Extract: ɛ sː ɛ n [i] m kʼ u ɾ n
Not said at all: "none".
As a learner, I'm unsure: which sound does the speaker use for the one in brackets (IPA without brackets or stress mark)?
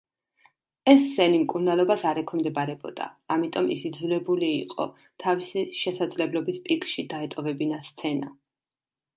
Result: i